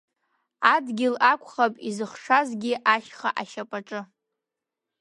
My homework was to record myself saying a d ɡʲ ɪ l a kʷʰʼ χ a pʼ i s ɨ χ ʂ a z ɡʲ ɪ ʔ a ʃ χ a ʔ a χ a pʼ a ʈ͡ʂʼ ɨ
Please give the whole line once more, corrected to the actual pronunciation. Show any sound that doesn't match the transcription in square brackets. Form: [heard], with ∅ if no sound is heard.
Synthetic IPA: a d ɡʲ ɪ l a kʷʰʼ χ a pʼ i [z] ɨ χ ʂ a z ɡʲ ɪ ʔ a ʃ χ a ʔ a [ʃ] a pʼ a ʈ͡ʂʼ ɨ